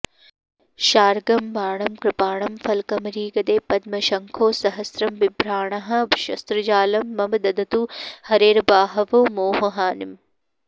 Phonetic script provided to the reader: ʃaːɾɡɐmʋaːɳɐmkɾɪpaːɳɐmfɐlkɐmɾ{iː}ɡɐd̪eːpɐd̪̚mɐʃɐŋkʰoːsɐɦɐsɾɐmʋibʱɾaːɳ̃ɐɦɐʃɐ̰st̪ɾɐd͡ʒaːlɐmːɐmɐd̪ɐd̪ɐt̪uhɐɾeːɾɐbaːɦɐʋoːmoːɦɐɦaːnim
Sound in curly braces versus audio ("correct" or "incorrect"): correct